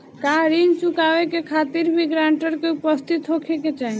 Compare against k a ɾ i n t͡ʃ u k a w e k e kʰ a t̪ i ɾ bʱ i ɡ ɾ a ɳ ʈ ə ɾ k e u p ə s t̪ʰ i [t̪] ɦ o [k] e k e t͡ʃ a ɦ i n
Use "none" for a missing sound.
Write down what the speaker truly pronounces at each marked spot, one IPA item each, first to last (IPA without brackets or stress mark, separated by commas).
t̪, kʰ